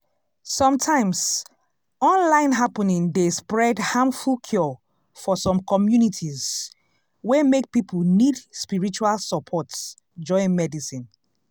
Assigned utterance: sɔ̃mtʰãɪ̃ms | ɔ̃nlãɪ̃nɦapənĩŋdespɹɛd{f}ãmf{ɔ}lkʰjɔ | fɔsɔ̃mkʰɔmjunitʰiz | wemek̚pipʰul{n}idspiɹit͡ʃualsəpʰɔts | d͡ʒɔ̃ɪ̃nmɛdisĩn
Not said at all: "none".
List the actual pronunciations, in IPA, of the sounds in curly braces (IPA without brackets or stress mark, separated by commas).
h, u, n